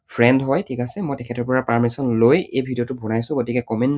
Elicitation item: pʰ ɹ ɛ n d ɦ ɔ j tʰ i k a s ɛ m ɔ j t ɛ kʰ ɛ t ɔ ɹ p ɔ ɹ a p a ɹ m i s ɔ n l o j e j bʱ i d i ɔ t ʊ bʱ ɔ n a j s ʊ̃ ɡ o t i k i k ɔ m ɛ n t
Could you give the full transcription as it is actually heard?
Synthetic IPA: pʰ ɹ ɛ n d ɦ ɔ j tʰ i k a s ɛ m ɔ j t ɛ kʰ ɛ t ɔ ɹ p ɔ ɹ a p a ɹ m i s ɔ n l o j e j bʱ i d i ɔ t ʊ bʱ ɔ n a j s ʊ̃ ɡ o t i k ɛ k ɔ m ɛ n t